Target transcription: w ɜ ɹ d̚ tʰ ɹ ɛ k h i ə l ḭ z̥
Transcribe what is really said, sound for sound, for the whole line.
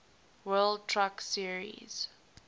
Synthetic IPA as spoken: w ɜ l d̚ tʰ ɹ a k s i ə ɹ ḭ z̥

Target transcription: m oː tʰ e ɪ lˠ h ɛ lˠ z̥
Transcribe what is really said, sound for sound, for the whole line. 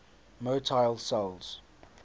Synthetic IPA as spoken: m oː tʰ a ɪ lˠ s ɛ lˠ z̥

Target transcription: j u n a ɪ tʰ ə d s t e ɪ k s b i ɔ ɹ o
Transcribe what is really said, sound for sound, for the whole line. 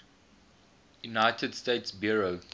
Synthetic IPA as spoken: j u n a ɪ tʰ ə d s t e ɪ t s b j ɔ ɹ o

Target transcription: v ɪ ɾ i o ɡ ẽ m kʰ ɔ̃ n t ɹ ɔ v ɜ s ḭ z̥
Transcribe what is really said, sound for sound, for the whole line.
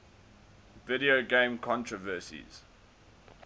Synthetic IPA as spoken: v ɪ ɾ i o ɡ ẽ m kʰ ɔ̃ n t ɹ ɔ v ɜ s ḭ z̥

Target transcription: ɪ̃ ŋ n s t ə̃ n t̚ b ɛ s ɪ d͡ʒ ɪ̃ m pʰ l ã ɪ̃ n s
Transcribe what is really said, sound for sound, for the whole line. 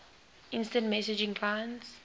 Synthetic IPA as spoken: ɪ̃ n s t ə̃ n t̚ m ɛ s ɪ d͡ʒ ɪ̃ ŋ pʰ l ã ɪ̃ n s

